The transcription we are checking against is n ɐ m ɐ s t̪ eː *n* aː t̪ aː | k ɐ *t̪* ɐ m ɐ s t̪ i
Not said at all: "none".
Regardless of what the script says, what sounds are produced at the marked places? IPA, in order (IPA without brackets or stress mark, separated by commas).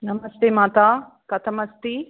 m, t̪ʰ